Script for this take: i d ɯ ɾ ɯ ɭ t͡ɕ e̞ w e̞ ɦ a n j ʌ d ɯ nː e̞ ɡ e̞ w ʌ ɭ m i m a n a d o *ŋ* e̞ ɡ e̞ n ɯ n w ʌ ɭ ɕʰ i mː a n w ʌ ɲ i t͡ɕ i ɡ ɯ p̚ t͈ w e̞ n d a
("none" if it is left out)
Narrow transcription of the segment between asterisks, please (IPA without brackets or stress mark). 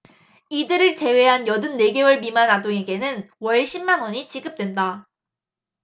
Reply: ŋ